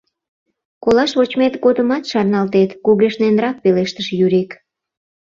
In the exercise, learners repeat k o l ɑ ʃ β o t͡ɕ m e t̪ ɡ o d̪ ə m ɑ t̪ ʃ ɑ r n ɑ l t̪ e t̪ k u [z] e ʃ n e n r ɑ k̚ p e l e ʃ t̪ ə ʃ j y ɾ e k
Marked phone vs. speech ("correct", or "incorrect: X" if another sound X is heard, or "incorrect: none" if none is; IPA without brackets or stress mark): incorrect: ɣ